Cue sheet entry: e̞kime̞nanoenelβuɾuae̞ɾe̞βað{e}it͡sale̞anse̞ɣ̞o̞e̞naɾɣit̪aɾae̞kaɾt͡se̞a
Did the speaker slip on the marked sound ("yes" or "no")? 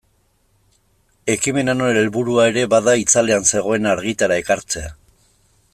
yes